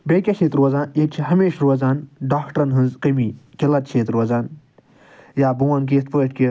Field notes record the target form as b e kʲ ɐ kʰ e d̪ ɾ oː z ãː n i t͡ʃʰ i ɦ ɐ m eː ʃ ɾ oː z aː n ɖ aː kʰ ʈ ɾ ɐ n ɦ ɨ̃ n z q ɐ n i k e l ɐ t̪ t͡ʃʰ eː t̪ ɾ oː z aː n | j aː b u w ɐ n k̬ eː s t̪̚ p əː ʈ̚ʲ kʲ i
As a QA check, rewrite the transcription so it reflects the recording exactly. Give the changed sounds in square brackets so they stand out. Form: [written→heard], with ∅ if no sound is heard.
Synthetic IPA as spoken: b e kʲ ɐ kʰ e [d̪→t̪] ɾ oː z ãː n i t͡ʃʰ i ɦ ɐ m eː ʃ ɾ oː z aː n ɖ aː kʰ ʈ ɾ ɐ n ɦ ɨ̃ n z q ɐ [n→m] i k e l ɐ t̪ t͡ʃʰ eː t̪ ɾ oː z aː n | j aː b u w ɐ n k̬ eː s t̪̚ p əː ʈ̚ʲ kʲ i